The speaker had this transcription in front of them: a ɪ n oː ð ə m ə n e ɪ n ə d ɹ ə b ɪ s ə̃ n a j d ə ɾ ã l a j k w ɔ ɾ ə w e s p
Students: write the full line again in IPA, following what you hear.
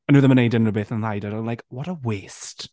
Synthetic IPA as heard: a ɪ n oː ð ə m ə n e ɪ d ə n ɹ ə b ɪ θ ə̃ n a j d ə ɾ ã l a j k w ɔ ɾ ə w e s t